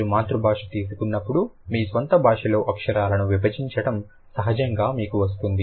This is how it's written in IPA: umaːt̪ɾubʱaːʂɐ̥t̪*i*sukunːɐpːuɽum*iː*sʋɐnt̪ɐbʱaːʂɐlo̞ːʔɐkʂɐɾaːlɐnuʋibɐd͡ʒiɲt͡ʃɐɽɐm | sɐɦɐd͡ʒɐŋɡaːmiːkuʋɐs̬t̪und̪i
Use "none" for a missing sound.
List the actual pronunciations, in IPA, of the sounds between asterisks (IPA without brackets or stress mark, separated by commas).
iː, iː